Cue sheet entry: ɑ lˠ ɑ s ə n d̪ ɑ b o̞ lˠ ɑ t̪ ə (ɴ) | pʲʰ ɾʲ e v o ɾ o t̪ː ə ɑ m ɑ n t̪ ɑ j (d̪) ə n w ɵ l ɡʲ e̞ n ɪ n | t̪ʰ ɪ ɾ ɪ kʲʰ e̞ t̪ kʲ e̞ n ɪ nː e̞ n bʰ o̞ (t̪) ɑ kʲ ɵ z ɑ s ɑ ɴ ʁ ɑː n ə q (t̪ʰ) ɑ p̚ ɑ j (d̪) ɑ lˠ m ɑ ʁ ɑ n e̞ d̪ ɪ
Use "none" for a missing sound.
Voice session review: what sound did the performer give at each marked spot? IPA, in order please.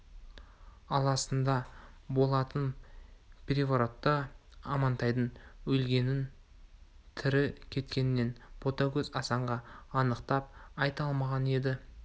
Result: n, d̪, t̪, t̪, t̪

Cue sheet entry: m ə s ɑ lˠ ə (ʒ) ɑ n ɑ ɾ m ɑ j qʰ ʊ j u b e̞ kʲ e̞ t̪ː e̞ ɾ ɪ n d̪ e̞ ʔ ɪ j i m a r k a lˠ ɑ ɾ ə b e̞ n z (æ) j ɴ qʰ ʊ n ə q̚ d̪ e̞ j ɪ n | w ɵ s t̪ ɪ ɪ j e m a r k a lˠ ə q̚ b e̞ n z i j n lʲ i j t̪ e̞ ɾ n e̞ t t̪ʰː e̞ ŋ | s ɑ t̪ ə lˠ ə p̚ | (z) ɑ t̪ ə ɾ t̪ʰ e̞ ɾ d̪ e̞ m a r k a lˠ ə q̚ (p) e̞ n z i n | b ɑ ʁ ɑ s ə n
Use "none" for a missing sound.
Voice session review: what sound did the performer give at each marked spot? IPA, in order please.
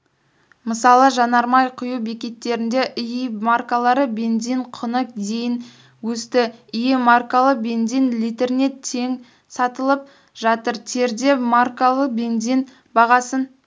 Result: ʒ, i, ʒ, b

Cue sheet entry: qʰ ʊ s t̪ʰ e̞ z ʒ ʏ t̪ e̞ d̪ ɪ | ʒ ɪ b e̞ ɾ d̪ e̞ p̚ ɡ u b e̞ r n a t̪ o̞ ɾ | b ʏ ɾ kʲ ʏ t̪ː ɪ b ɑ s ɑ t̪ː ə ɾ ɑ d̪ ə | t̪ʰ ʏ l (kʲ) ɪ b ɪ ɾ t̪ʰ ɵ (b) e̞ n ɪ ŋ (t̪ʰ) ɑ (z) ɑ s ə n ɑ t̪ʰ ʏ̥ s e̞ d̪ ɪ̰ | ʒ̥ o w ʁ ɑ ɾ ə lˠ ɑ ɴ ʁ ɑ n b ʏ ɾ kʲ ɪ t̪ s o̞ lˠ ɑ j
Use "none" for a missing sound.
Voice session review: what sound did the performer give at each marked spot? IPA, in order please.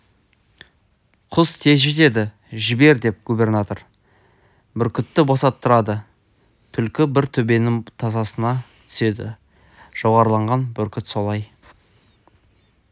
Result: kʲ, b, t̪ʰ, z

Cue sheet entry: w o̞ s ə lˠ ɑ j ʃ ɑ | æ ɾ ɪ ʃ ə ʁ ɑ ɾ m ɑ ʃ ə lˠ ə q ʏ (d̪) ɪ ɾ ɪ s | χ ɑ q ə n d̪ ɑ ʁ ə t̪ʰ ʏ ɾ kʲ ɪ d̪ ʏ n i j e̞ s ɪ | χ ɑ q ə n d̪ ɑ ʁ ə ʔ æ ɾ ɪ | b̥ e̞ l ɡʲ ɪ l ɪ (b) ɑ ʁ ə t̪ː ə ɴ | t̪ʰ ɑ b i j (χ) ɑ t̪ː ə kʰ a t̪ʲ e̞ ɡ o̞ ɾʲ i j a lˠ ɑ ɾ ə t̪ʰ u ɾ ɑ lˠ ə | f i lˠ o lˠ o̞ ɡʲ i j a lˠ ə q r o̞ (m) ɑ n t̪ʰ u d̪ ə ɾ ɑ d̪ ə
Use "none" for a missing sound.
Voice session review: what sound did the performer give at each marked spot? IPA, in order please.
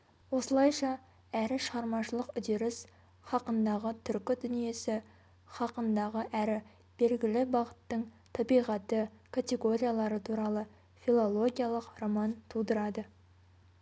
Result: d̪, b, ʁ, m

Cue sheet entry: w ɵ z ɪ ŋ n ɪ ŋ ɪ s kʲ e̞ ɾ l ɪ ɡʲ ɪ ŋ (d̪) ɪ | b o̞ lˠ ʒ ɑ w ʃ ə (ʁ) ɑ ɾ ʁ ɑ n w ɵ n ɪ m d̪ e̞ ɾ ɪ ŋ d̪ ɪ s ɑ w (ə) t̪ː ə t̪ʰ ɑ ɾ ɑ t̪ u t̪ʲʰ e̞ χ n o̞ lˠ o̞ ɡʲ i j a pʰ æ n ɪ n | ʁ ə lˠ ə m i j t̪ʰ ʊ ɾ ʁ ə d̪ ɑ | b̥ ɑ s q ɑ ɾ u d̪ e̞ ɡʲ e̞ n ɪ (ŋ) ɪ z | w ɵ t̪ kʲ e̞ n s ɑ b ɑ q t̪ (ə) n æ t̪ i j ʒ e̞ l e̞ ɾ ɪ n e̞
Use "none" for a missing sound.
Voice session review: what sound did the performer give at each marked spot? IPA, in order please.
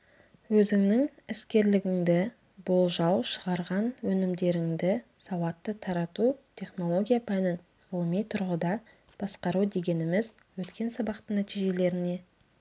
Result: d̪, ʁ, ɑ, m, ə

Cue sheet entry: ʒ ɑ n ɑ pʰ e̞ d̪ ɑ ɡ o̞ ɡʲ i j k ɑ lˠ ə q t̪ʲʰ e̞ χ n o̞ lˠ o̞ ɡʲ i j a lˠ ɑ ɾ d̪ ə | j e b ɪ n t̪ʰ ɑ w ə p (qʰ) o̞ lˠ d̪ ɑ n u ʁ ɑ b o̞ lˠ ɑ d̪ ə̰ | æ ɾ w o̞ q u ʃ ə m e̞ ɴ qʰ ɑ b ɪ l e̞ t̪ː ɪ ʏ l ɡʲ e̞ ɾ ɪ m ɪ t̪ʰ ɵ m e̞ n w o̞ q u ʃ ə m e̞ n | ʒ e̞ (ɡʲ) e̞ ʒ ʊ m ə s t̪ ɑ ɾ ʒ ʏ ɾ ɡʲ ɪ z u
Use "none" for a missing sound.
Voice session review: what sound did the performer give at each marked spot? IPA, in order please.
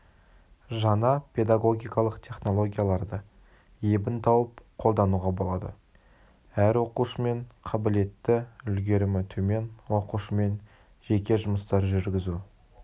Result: qʰ, kʲ

